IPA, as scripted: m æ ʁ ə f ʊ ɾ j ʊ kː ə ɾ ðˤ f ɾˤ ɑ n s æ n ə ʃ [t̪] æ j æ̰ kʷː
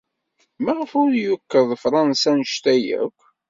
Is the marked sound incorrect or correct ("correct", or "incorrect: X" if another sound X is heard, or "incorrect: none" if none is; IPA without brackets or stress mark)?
correct